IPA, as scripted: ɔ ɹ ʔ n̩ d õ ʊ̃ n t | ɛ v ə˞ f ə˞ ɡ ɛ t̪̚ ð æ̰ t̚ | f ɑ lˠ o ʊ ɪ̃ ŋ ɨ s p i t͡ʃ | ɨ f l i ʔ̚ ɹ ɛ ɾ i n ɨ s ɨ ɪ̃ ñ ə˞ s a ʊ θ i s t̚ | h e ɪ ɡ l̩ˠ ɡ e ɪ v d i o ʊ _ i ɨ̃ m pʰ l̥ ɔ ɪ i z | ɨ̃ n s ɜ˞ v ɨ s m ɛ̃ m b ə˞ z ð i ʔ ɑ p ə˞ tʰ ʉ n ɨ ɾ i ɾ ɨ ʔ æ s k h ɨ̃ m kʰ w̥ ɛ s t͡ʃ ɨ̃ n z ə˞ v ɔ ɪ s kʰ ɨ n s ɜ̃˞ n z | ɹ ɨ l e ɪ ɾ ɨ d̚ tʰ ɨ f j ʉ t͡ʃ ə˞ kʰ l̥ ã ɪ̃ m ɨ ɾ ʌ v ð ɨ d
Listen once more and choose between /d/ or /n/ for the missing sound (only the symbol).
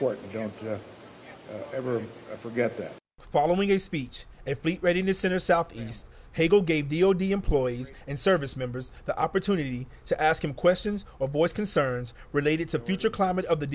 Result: d